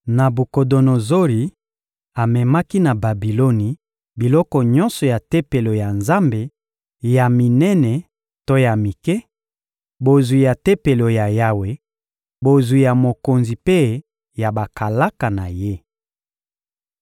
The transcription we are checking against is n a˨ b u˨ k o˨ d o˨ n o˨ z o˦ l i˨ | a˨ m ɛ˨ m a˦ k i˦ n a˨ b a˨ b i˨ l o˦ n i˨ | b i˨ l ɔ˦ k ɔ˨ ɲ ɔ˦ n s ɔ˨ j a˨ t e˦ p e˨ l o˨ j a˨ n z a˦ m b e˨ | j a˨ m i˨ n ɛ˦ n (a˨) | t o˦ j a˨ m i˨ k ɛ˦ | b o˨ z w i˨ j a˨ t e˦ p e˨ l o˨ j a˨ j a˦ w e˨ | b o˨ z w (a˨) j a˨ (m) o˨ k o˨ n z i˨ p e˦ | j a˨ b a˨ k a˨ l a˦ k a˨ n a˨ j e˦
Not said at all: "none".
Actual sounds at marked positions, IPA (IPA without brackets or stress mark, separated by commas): ɛ˨, i˨, m